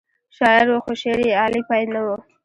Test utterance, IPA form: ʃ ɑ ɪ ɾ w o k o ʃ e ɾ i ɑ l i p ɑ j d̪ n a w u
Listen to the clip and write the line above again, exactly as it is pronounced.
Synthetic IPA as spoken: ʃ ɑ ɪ ɾ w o x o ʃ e ɾ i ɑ l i p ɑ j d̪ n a w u